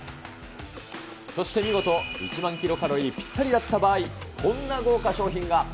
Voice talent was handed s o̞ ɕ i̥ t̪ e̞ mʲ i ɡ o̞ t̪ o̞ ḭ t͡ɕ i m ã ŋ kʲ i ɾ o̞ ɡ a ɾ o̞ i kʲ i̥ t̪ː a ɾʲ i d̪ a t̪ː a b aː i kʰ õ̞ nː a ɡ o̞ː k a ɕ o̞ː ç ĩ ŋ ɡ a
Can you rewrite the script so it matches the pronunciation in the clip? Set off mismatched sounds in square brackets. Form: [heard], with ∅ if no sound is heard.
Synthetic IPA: s o̞ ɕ i̥ t̪ e̞ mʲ i ɡ o̞ t̪ o̞ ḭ t͡ɕ i m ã ŋ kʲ i ɾ o̞ [k] a ɾ o̞ i [pʲ] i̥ t̪ː a ɾʲ i d̪ a t̪ː a b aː i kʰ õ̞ nː a ɡ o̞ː k a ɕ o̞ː ç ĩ ŋ ɡ a